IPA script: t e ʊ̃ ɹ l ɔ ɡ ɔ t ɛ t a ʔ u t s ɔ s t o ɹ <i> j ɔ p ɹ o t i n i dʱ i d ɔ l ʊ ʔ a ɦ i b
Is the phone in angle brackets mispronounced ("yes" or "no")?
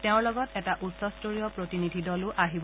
no